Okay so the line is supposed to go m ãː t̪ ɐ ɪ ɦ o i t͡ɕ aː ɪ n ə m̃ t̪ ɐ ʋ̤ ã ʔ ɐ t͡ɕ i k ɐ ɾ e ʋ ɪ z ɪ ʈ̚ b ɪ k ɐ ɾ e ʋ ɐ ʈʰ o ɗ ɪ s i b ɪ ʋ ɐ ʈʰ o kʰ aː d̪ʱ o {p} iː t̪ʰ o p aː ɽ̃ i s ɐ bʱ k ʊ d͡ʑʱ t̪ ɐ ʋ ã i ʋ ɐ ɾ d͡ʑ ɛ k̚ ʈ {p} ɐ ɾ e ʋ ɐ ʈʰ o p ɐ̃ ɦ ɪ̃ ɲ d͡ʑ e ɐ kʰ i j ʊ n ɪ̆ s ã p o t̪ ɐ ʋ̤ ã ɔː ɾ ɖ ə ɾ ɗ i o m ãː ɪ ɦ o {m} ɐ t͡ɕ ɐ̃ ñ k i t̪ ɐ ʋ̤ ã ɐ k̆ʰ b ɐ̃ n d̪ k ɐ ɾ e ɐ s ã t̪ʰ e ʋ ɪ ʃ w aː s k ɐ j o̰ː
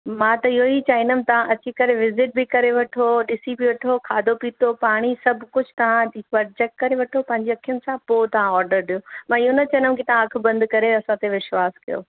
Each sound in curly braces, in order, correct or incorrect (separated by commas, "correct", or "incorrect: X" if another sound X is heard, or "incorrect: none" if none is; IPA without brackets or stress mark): correct, incorrect: k, incorrect: n